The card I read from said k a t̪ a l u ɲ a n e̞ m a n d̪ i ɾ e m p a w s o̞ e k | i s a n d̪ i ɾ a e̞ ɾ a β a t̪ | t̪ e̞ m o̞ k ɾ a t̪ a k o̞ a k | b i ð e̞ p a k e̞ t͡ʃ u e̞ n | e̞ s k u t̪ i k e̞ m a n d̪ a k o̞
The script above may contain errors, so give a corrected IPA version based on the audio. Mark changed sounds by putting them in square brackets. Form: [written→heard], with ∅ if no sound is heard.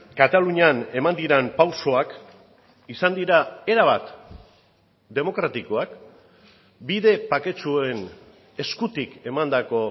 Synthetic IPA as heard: k a t̪ a l u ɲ a n e̞ m a n d̪ i ɾ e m p a w s o̞ [e→a] k | i s a n d̪ i ɾ a e̞ ɾ a β a t̪ | [t̪→d̪] e̞ m o̞ k ɾ a t̪ [a→i] k o̞ a k | b i ð e̞ p a k e̞ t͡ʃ u e̞ n | e̞ s k u t̪ i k e̞ m a n d̪ a k o̞

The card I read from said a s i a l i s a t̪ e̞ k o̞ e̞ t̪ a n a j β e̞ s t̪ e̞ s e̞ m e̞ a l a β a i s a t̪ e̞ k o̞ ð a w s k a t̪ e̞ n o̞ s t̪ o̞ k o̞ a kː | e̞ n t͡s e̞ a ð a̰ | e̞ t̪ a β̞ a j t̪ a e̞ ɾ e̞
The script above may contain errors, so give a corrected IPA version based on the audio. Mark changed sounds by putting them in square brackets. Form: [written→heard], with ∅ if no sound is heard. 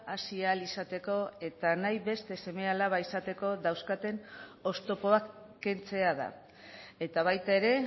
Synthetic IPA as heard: a s i a l i s a t̪ e̞ k o̞ e̞ t̪ a n a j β e̞ s t̪ e̞ s e̞ m e̞ a l a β a i s a t̪ e̞ k o̞ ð a w s k a t̪ e̞ n o̞ s t̪ o̞ [k→p] o̞ a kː | e̞ n t͡s e̞ a ð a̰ | e̞ t̪ a β̞ a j t̪ a e̞ ɾ e̞

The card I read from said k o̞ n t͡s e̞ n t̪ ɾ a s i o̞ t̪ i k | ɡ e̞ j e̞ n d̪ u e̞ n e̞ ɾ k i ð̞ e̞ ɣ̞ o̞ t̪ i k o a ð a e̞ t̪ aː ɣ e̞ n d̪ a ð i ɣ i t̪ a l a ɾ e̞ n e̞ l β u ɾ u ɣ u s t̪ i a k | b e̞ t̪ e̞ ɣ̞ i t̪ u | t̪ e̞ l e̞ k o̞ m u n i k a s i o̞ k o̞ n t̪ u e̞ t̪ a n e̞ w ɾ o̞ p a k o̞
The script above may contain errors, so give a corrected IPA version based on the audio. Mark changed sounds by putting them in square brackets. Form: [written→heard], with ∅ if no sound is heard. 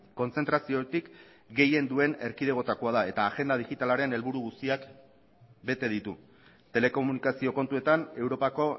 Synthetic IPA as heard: k o̞ n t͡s e̞ n t̪ ɾ a s i o̞ t̪ i k | ɡ e̞ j e̞ n d̪ u e̞ n e̞ ɾ k i ð̞ e̞ ɣ̞ o̞ t̪ [i→a] k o a ð a e̞ t̪ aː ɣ e̞ n d̪ a ð i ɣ i t̪ a l a ɾ e̞ n e̞ l β u ɾ u ɣ u s t̪ i a k | b e̞ t̪ e̞ [ɣ̞→ð̞] i t̪ u | t̪ e̞ l e̞ k o̞ m u n i k a s i o̞ k o̞ n t̪ u e̞ t̪ a n e̞ w ɾ o̞ p a k o̞

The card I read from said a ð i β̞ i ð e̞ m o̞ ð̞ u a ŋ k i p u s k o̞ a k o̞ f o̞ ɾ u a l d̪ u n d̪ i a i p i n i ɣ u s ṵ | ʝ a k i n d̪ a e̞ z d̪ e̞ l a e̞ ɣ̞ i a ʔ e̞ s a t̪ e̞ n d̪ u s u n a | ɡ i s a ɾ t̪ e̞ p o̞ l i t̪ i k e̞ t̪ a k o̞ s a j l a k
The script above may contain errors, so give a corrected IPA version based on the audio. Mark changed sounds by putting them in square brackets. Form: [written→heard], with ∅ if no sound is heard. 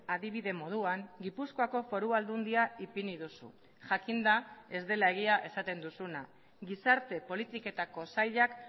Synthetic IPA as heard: a ð i β̞ i ð e̞ m o̞ ð̞ u a ŋ [k→ɡ] i p u s k o̞ a k o̞ f o̞ ɾ u a l d̪ u n d̪ i a i p i n i [ɣ→ð] u s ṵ | ʝ a k i n d̪ a e̞ z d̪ e̞ l a e̞ ɣ̞ i a ʔ e̞ s a t̪ e̞ n d̪ u s u n a | ɡ i s a ɾ t̪ e̞ p o̞ l i t̪ i k e̞ t̪ a k o̞ s a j [l→ʎ] a k

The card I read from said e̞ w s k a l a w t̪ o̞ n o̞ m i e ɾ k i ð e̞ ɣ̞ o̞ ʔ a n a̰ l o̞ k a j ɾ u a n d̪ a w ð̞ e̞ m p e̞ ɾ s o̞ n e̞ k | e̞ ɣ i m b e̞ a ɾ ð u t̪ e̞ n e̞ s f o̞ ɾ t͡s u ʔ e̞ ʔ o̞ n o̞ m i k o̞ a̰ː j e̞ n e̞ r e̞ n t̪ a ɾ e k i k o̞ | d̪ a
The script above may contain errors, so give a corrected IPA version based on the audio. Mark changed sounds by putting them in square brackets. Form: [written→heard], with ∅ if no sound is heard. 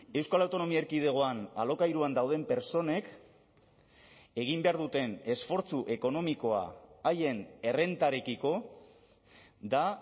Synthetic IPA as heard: e̞ w s k a l a w t̪ o̞ n o̞ m i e ɾ k i ð e̞ ɣ̞ o̞ [ʔ→∅] a n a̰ l o̞ k a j ɾ u a n d̪ a w ð̞ e̞ m p e̞ ɾ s o̞ n e̞ k | e̞ ɣ i m b e̞ a ɾ ð u t̪ e̞ n e̞ s f o̞ ɾ t͡s u ʔ e̞ [ʔ→k] o̞ n o̞ m i k o̞ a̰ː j e̞ n e̞ r e̞ n t̪ a ɾ e k i k o̞ | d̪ a

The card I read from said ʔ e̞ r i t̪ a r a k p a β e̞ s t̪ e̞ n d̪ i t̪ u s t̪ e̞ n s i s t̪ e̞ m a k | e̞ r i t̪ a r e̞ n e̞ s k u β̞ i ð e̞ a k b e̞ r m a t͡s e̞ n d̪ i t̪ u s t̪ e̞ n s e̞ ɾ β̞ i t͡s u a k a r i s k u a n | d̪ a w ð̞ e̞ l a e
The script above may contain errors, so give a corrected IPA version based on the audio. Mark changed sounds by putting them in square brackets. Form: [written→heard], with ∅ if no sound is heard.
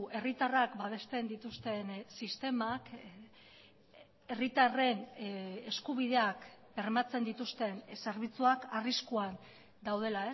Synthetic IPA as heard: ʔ e̞ r i t̪ a r a k [p→b] a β e̞ s t̪ e̞ n d̪ i t̪ u s t̪ e̞ n s i s t̪ e̞ m a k | e̞ r i t̪ a r e̞ n e̞ s k u β̞ i ð e̞ a k b e̞ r m a t͡s e̞ n d̪ i t̪ u s t̪ e̞ n s e̞ ɾ β̞ i t͡s u a k a r i s k u a n | d̪ a w ð̞ e̞ l a e

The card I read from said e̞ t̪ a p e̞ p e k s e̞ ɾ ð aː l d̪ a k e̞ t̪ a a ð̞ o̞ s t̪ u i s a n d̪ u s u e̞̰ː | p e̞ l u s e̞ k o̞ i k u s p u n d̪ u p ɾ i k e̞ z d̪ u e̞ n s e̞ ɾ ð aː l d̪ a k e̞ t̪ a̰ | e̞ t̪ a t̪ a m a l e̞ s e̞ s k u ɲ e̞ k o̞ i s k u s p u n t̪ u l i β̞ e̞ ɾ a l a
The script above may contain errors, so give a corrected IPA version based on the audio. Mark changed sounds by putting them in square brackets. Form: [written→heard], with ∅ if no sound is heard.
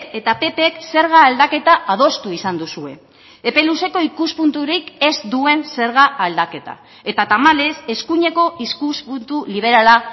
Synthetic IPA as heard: e̞ t̪ a p e̞ p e k s e̞ ɾ [ð→ɣ] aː l d̪ a k e̞ t̪ a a ð̞ o̞ s t̪ u i s a n d̪ u s u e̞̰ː | p e̞ l u s e̞ k o̞ i k u s p u n [d̪→t̪] u [p→∅] ɾ i k e̞ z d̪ u e̞ n s e̞ ɾ [ð→ɣ] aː l d̪ a k e̞ t̪ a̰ | e̞ t̪ a t̪ a m a l e̞ s e̞ s k u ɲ e̞ k o̞ i s k u s p u n t̪ u l i β̞ e̞ ɾ a l a

